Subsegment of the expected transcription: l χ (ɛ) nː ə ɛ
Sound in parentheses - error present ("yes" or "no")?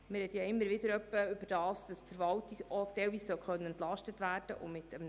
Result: yes